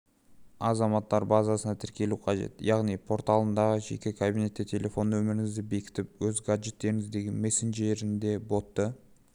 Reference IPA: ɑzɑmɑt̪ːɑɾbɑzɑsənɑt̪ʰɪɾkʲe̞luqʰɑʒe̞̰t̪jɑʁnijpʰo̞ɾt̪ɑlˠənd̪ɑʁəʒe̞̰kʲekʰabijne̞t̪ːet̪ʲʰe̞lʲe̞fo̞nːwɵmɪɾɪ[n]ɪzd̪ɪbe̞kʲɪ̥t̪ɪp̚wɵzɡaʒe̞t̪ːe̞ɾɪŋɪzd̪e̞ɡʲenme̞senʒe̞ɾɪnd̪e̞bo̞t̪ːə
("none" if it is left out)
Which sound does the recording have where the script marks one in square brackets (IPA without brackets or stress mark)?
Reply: ŋ